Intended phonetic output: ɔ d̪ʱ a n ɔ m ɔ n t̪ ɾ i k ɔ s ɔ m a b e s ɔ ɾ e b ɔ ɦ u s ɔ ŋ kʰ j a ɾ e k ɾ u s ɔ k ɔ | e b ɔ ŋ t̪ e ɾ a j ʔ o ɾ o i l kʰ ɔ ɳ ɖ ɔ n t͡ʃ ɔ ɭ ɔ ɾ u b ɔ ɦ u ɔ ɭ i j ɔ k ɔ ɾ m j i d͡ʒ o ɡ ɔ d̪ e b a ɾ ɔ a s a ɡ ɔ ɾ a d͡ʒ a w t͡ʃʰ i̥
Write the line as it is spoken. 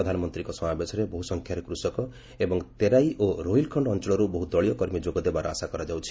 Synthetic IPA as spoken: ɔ d̪ʱ a n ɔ m ɔ n t̪ ɾ i k ɔ s ɔ m a b e s ɔ ɾ e b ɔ ɦ u s ɔ ŋ kʰ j a ɾ e k ɾ u s ɔ k ɔ | e b ɔ ŋ t̪ e ɾ a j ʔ o ɾ o i l kʰ ɔ ɳ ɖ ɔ n t͡ʃ ɔ ɭ ɔ ɾ u b ɔ ɦ u ɔ ɭ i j ɔ k ɔ ɾ m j i d͡ʒ o ɡ ɔ d̪ e b a ɾ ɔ a s a k ɔ ɾ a d͡ʒ a w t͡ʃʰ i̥